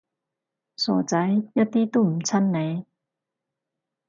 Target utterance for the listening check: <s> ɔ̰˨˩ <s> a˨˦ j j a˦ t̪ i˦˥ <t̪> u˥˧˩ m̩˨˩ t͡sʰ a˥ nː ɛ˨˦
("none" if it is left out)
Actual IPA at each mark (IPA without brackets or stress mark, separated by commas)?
s, t͡s, t̪